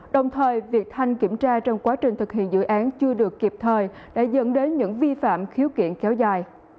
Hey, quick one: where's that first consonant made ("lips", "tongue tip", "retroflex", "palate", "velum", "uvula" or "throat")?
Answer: tongue tip